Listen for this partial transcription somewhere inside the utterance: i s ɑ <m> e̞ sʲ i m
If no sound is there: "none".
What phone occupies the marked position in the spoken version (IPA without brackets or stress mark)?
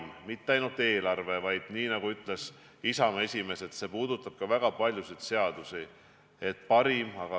m